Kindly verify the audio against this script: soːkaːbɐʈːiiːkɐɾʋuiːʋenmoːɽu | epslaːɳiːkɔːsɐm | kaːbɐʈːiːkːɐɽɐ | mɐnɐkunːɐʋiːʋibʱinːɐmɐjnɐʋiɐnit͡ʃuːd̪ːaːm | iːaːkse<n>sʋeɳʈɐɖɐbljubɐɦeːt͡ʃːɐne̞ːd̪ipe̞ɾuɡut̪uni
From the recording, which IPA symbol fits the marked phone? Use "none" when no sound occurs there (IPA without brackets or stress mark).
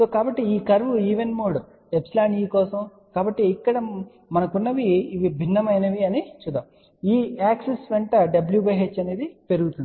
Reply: none